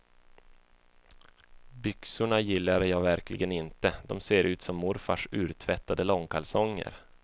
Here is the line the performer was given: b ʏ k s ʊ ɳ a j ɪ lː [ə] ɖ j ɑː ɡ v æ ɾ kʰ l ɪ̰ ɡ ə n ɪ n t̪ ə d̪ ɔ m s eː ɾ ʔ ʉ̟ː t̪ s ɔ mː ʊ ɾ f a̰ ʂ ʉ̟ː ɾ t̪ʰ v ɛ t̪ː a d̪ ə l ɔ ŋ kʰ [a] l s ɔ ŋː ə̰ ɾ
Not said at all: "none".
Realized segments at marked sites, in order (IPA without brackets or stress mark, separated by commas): a, a